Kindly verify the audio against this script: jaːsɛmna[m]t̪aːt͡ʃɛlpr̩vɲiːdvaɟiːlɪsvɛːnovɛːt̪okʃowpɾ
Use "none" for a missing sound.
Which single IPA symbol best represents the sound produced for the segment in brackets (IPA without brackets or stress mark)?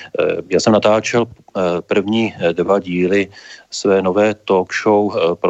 none